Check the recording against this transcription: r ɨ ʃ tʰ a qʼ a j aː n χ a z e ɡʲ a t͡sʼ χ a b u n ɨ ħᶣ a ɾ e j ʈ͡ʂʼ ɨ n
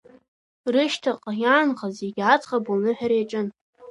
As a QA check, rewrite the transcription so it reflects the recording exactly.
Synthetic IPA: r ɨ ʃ tʰ a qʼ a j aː n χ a z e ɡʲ a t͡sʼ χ a b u n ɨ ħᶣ a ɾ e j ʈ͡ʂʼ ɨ n